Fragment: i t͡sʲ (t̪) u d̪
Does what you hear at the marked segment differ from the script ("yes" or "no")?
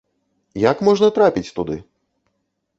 no